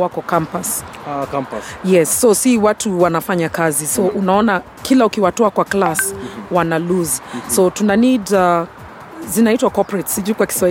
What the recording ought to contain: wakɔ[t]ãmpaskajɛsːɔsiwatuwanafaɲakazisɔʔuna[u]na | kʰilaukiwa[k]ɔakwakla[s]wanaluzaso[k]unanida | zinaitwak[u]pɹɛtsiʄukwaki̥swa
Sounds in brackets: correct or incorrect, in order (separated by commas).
incorrect, incorrect, incorrect, correct, incorrect, incorrect